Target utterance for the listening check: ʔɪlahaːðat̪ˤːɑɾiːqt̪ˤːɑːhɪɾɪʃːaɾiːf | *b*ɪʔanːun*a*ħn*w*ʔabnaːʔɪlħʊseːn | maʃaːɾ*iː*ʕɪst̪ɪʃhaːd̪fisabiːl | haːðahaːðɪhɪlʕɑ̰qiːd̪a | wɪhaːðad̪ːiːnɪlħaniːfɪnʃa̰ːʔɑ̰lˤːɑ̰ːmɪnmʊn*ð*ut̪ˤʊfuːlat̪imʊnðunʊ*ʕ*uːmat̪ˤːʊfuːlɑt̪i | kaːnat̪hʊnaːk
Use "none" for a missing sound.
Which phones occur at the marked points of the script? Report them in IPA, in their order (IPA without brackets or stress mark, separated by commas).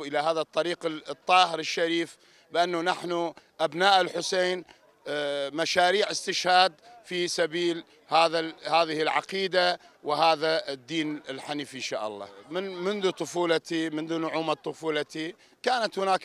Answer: b, a, u, iː, ð, ʕ